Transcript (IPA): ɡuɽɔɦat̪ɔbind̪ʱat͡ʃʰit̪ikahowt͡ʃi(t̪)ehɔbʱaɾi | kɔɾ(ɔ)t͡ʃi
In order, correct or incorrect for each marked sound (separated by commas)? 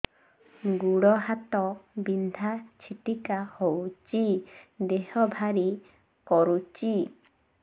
incorrect, incorrect